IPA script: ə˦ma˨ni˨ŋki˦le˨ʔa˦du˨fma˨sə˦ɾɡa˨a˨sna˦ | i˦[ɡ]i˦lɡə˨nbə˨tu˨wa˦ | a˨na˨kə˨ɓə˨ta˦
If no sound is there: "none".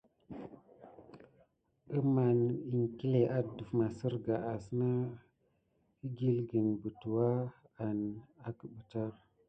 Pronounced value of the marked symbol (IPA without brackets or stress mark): ɡ